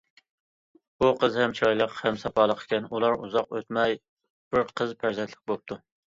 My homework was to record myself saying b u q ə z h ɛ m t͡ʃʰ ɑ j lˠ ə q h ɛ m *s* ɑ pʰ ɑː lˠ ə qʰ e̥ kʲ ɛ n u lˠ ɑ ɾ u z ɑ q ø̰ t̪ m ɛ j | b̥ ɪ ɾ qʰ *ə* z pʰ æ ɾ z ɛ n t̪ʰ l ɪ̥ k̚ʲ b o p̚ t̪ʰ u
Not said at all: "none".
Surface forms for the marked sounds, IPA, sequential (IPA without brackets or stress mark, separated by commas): s, ə